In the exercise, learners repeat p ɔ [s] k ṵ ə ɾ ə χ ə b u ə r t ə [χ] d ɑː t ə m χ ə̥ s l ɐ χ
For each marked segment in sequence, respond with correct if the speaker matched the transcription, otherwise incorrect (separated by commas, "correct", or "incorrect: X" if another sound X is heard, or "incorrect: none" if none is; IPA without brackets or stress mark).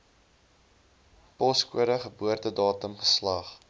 correct, incorrect: none